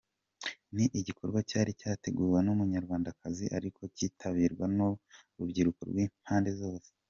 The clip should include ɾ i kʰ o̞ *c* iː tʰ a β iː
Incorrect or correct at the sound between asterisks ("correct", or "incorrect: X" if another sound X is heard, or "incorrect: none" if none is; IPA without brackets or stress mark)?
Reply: correct